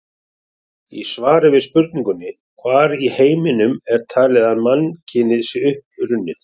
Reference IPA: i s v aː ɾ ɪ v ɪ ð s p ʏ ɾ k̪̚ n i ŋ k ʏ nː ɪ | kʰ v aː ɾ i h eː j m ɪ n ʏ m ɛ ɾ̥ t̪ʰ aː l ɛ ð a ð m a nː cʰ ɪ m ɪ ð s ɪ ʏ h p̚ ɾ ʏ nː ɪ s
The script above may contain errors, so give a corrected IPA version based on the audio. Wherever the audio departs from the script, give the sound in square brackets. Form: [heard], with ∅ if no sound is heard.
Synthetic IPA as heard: i s v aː ɾ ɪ v ɪ ð s p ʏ ɾ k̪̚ n i ŋ k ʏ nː ɪ | kʰ v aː ɾ i h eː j m ɪ n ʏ m ɛ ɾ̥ t̪ʰ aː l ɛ ð a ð m a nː cʰ ɪ [n] ɪ ð s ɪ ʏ h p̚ ɾ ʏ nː ɪ [θ]